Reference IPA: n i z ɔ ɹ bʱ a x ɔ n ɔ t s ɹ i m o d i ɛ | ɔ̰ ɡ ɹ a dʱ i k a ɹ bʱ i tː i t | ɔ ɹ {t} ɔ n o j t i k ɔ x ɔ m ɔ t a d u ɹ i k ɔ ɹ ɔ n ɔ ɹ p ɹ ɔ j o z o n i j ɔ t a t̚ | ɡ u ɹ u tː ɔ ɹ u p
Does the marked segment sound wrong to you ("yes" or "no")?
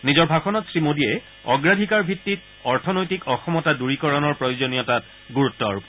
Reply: yes